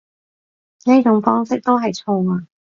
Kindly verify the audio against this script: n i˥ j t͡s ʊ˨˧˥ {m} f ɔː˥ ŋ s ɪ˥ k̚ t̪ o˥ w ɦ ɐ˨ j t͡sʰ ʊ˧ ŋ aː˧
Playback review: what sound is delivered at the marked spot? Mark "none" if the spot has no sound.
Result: ŋ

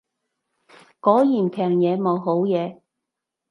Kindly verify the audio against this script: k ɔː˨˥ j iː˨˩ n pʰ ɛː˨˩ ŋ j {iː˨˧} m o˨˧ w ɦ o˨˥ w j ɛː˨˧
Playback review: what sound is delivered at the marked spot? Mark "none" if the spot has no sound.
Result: ɛː˨˧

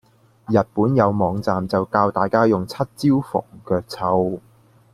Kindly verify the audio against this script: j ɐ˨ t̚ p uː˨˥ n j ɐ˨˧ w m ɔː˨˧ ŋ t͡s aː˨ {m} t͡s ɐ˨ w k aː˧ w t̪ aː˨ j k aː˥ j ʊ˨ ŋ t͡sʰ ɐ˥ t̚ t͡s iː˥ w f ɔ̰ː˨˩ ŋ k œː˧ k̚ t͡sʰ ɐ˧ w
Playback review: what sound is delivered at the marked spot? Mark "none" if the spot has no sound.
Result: m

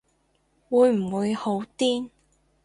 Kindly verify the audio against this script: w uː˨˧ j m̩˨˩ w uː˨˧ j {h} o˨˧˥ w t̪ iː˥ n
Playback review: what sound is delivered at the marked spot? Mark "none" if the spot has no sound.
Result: h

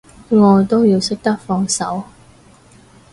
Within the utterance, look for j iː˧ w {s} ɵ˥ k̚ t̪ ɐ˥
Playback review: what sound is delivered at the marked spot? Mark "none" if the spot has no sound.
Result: s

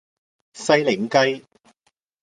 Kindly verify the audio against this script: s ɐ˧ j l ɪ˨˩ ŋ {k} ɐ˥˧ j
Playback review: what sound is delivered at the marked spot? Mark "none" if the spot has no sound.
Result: k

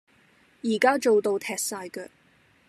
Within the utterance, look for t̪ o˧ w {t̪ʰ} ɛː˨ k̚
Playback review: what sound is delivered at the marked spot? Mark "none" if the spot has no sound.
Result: t̪ʰ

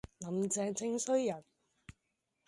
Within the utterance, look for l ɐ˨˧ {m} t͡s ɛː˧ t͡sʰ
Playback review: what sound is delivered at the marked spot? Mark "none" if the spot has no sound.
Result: m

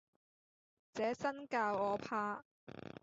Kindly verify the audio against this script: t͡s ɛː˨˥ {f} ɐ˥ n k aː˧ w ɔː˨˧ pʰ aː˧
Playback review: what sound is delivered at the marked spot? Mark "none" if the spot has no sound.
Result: s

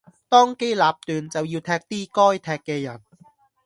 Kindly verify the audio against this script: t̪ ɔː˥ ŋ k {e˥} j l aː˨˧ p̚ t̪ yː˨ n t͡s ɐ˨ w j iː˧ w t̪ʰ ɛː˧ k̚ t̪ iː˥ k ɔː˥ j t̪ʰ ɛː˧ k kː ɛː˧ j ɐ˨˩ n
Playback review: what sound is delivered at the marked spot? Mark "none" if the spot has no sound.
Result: e˥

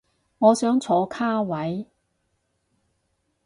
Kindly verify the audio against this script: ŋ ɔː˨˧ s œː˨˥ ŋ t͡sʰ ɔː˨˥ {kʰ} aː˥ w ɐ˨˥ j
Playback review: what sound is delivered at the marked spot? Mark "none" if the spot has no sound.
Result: kʰ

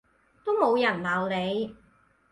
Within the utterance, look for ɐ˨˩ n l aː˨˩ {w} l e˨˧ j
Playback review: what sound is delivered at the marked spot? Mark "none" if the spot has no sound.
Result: w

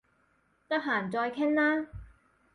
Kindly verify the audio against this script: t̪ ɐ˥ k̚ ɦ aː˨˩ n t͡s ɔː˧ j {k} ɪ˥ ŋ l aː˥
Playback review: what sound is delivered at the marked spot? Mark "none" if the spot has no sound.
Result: kʰ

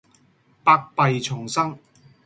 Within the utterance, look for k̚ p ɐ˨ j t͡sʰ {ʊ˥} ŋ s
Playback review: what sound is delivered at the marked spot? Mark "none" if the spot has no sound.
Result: ʊ˨˩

